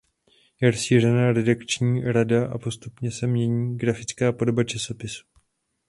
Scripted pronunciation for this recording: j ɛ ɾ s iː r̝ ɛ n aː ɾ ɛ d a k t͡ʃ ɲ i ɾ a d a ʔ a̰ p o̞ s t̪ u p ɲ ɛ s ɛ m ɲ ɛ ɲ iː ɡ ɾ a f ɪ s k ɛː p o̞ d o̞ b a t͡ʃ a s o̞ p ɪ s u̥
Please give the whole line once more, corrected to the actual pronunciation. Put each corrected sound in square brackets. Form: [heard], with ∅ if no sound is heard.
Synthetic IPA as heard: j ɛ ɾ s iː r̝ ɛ n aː ɾ ɛ d a k t͡ʃ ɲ [iː] ɾ a d a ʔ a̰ p o̞ s t̪ u p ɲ ɛ s ɛ m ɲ ɛ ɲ iː ɡ ɾ a f ɪ [t͡s] k [aː] p o̞ d o̞ b a t͡ʃ a s o̞ p ɪ s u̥